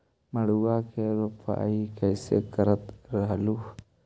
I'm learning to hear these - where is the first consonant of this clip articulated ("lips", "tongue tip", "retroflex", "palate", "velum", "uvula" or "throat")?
lips